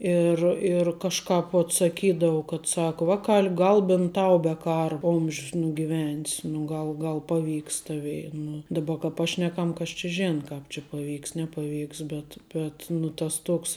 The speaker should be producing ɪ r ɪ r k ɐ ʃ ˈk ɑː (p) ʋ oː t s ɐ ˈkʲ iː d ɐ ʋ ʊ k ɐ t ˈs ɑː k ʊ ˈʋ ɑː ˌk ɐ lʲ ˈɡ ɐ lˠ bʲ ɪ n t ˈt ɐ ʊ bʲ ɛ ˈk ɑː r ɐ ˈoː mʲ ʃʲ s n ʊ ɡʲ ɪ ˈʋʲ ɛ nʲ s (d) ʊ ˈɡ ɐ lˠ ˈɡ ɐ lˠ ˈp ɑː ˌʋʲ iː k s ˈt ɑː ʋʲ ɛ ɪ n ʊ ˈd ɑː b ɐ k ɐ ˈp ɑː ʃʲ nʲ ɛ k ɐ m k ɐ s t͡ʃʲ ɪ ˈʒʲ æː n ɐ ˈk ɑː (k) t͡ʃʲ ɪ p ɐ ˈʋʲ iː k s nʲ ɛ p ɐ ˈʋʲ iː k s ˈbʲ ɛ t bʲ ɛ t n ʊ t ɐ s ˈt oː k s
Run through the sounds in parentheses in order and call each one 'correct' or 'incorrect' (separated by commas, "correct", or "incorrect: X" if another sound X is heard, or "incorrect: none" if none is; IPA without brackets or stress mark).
correct, incorrect: n, incorrect: p